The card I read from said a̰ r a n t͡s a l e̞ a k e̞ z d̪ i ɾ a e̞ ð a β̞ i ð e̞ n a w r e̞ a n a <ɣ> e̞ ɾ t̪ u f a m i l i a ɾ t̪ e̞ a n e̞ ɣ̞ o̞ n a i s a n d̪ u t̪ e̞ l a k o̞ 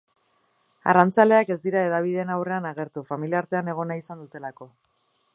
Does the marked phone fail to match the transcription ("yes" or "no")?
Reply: no